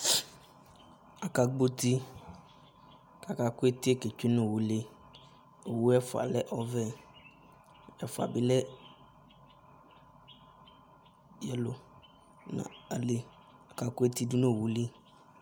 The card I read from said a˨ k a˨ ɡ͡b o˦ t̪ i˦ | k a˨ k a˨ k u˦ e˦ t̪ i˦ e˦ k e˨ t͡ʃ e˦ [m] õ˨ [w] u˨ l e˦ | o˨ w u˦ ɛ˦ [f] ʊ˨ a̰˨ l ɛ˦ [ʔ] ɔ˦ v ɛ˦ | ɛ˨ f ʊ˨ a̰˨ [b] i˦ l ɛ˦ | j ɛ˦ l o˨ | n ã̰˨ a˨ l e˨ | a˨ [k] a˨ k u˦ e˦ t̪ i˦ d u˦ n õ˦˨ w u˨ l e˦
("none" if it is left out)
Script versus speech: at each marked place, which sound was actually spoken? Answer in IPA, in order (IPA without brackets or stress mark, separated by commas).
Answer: n, w, f, ʔ, b, k